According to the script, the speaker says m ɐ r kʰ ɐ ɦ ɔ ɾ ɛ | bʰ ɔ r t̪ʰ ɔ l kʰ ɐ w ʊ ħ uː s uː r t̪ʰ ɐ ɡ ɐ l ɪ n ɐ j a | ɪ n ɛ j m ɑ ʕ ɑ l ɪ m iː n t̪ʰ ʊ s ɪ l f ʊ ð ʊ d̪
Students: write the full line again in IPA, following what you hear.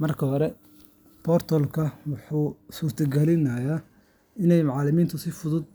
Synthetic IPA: m ɐ r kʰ ɐ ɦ ɔ ɾ ɛ | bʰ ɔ r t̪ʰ ɔ l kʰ ɐ w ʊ ħ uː s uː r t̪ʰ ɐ ɡ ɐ l ɪ n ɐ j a | ɪ n ɛ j m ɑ ʕ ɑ l ɪ m iː n t̪ʰ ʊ s ɪ f ʊ ð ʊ d̪